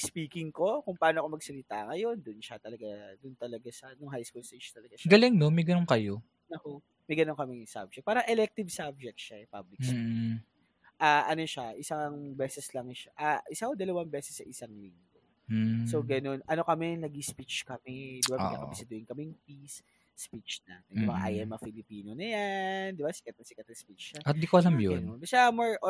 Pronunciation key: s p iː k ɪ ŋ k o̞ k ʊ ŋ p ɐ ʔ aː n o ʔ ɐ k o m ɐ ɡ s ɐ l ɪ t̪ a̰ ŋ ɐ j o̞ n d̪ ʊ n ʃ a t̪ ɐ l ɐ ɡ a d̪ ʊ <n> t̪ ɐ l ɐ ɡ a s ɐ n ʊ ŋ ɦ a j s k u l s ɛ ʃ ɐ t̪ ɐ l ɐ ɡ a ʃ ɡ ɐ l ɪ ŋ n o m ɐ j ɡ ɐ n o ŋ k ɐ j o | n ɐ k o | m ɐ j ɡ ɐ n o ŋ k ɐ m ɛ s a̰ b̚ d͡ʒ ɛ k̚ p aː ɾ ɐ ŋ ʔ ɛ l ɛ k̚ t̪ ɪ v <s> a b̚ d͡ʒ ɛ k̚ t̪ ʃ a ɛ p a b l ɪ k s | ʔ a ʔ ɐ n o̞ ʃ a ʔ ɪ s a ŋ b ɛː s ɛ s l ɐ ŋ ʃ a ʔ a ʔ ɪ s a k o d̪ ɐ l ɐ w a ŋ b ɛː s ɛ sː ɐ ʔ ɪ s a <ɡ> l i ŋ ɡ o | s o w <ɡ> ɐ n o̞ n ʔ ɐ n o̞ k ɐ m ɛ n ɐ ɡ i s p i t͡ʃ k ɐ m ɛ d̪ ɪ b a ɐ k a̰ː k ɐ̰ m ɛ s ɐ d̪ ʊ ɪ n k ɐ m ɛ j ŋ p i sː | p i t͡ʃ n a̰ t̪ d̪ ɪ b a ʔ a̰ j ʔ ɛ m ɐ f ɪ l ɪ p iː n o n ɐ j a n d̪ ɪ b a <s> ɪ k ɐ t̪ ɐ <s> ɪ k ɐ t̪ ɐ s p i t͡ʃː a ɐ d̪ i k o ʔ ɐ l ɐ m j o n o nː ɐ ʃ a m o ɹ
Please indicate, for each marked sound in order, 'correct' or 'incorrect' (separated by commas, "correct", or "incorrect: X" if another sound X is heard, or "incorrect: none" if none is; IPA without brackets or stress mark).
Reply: correct, correct, incorrect: ŋ, correct, correct, correct